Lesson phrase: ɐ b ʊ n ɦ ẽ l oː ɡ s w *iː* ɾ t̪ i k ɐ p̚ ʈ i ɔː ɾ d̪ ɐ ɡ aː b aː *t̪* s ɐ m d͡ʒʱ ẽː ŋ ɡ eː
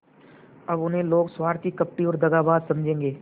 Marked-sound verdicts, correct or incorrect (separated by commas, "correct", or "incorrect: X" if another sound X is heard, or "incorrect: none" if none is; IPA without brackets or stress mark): incorrect: aː, incorrect: d̪